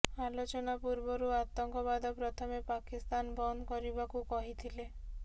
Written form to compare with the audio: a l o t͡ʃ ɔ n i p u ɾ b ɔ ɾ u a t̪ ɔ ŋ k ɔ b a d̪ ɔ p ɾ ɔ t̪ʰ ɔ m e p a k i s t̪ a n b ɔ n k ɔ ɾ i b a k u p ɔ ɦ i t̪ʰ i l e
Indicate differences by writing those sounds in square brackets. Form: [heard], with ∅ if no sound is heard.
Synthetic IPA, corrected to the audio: a l o t͡ʃ ɔ n [a] p u ɾ b ɔ ɾ u a t̪ ɔ ŋ k ɔ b a d̪ ɔ p ɾ ɔ t̪ʰ ɔ m e p a k i s t̪ a n b ɔ n k ɔ ɾ i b a k u [k] ɔ ɦ i t̪ʰ i l e